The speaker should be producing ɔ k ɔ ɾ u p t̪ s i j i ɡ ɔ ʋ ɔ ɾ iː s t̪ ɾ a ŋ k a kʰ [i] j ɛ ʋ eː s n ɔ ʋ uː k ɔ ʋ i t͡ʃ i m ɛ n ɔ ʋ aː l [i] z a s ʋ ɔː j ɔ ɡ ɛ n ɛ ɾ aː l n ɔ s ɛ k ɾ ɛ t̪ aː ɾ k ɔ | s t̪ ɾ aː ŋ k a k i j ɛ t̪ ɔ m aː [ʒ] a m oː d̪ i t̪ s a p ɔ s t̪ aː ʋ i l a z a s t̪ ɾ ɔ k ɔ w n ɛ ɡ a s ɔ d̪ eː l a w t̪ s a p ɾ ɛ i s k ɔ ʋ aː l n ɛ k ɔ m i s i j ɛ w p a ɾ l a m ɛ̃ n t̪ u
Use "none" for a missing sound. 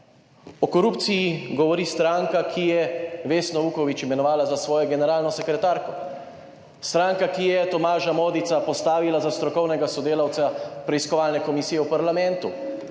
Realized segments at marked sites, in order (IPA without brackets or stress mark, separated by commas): i, a, ʒ